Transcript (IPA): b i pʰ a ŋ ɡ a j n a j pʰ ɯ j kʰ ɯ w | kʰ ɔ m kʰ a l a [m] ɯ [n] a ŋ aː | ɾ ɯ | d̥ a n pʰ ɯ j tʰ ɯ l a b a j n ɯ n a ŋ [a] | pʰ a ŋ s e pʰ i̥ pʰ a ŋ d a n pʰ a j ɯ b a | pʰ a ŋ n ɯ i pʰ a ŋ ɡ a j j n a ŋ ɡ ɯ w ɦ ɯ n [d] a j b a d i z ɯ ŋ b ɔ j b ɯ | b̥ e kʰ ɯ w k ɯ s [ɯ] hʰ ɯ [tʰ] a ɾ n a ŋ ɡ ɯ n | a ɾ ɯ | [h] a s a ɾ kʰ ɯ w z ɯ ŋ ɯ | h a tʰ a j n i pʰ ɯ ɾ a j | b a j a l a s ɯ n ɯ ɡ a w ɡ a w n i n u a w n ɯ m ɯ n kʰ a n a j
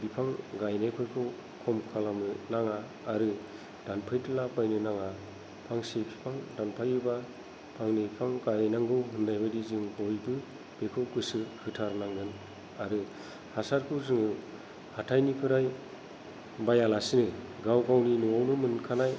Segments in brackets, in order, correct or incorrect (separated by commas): correct, correct, correct, correct, correct, correct, correct